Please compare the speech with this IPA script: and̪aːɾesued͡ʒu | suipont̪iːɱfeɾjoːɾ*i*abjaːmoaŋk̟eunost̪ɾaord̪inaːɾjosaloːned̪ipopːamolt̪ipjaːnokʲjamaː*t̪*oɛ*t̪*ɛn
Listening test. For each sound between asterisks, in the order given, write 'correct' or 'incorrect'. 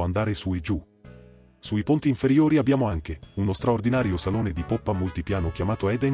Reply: correct, correct, incorrect: d̪

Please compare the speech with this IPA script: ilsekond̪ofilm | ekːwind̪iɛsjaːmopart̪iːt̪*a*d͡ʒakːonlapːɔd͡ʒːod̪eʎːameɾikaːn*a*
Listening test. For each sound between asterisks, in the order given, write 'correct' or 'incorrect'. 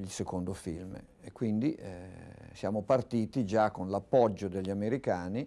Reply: incorrect: i, incorrect: i

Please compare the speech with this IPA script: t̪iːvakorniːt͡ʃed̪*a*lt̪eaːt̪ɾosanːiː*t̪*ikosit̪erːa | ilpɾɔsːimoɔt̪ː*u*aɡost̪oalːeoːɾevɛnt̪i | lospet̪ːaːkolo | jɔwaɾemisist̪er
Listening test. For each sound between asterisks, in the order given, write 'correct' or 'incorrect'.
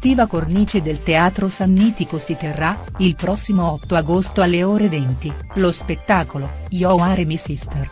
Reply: incorrect: e, correct, incorrect: o

